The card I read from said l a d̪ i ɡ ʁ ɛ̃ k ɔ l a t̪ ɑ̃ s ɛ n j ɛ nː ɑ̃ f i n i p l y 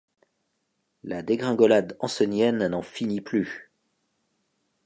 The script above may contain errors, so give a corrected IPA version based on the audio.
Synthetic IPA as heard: l a d̪ e ɡ ʁ ɛ̃ ɡ ɔ l a d̪ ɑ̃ s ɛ n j ɛ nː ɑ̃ f i n i p l y